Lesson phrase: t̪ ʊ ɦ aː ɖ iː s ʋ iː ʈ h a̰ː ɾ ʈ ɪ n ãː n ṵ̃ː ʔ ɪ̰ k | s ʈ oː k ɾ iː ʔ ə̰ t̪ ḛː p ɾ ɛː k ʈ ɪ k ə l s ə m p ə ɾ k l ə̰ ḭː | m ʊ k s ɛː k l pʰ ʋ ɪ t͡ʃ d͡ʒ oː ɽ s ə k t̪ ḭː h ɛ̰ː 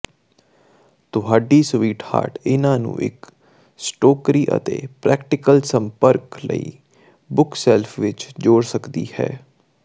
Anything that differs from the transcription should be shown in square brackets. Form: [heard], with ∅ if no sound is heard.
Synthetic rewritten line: t̪ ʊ ɦ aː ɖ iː s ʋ iː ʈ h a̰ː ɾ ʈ ɪ n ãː n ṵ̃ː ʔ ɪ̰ k | s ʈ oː k ɾ iː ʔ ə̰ t̪ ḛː p ɾ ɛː k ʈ ɪ k ə l s ə m p ə ɾ k l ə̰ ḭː | [b] ʊ k s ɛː [∅] l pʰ ʋ ɪ t͡ʃ d͡ʒ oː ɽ s ə k [d̪] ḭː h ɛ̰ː